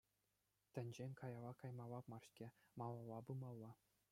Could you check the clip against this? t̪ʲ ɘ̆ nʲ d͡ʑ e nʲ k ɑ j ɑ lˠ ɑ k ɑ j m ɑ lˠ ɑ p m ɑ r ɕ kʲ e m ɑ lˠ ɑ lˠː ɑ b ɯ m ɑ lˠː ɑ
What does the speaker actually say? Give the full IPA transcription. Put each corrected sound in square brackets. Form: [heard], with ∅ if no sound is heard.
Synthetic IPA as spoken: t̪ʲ ɘ̆ nʲ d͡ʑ e nʲ k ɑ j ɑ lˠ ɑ k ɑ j m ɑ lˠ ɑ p m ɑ r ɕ kʲ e m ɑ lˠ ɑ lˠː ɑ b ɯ m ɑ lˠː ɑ